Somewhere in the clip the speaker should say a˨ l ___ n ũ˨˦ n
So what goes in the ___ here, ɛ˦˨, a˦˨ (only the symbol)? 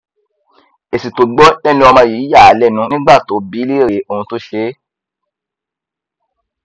ɛ˦˨